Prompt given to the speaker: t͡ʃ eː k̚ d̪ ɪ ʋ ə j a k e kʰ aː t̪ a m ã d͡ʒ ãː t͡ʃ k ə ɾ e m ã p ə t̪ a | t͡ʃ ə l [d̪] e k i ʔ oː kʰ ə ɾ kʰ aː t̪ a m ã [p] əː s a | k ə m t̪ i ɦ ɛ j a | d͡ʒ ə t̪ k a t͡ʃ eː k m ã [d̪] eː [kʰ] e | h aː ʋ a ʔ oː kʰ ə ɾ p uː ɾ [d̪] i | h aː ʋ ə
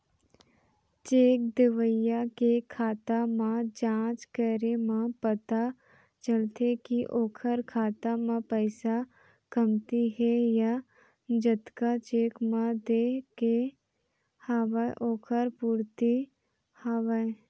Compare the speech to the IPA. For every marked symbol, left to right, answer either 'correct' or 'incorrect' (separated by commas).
incorrect, correct, correct, incorrect, incorrect